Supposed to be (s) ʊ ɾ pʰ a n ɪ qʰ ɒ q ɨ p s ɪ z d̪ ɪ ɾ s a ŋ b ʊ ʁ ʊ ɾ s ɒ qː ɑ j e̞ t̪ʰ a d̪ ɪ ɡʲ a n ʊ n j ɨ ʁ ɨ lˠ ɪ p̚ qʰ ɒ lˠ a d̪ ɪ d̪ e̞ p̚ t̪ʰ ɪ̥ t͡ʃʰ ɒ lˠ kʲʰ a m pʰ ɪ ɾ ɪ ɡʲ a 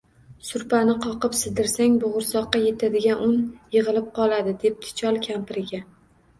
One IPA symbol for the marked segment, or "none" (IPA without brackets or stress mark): s